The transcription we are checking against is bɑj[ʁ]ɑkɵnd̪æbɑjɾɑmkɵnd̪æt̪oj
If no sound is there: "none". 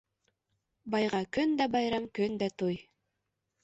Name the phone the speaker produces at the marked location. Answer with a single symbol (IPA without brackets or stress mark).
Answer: ʁ